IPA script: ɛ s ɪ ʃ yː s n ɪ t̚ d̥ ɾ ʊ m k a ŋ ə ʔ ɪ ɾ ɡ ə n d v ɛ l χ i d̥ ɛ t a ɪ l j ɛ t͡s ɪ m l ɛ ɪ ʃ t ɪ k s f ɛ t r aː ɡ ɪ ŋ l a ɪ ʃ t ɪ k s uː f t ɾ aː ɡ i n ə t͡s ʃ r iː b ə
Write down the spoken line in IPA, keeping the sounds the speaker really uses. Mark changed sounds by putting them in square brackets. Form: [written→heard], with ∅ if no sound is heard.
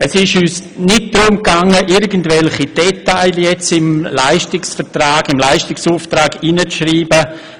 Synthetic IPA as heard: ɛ s ɪ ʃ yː s n ɪ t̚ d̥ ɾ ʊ m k a ŋ ə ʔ ɪ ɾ ɡ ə n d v ɛ l χ i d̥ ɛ t a ɪ l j ɛ t͡s ɪ m l [ɛ→a] ɪ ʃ t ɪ k s f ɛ t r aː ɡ ɪ [ŋ→m] l a ɪ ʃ t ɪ k s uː f t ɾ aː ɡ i n ə t͡s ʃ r iː b ə